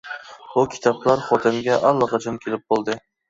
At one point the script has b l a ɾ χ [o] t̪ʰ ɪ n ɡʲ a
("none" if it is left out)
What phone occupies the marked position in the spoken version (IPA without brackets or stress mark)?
ɒ